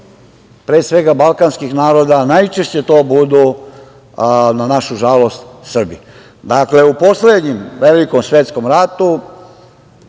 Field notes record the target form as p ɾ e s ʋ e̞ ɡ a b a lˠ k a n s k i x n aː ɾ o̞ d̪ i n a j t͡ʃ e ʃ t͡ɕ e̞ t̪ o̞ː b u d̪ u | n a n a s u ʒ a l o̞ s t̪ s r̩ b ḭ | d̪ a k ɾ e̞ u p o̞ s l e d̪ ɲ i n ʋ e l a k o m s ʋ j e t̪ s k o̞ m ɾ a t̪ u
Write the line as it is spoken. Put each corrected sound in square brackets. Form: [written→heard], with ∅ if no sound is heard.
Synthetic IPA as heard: p ɾ e s ʋ e̞ ɡ a b a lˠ k a n s k i x n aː ɾ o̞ d̪ [i→a] n a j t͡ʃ e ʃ t͡ɕ e̞ t̪ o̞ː b u d̪ u | n a n a [s→ʃ] u ʒ a l o̞ s t̪ s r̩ b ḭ | d̪ a k [ɾ→l] e̞ u p o̞ s l e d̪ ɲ i [n→m] ʋ e l [a→i] k o m s ʋ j e t̪ s k o̞ m ɾ a t̪ u